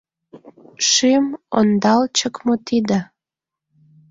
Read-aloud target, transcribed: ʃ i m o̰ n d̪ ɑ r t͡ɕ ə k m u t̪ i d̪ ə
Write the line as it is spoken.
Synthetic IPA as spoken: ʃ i m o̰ n d̪ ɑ l t͡ɕ ə k m o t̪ i d̪ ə